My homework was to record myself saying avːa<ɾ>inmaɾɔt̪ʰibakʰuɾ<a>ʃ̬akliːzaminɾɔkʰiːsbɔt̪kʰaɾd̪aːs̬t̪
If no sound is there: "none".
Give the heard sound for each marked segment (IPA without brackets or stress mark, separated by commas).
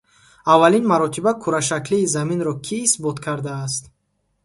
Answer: l, a